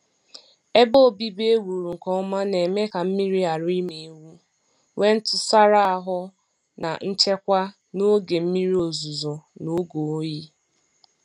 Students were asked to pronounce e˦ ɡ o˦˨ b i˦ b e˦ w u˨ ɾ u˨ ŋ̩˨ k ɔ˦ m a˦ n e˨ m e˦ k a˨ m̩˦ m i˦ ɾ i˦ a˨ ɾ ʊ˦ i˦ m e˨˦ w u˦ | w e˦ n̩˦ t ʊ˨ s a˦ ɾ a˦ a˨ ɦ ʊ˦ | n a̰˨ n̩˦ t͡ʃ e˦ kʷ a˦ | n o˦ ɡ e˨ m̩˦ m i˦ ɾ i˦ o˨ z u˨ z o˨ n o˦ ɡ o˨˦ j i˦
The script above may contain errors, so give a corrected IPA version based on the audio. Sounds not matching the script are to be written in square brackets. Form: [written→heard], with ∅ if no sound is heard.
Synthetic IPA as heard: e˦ [ɡ→b] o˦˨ b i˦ b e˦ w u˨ ɾ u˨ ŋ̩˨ k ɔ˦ m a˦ n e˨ m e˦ k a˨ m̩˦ m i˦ ɾ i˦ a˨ ɾ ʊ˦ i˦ m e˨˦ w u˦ | w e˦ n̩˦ t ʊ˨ s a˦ ɾ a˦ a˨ ɦ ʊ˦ | n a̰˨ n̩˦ t͡ʃ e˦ kʷ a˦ | n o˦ ɡ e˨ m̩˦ m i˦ ɾ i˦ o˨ z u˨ z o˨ n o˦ ɡ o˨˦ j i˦